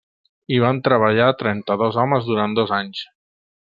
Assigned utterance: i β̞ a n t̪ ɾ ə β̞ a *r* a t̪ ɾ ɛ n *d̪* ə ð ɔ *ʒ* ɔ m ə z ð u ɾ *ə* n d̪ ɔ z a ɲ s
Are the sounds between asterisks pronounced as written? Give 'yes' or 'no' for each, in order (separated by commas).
no, no, no, no